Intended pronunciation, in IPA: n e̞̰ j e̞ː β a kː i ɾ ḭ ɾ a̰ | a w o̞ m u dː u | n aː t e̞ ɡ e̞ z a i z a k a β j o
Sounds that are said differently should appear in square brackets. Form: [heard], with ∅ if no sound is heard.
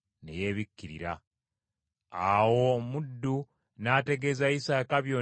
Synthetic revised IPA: n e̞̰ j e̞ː β [i] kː i ɾ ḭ ɾ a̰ | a w o̞ m u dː u | n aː t e̞ ɡ e̞ z a i [s] a k a β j o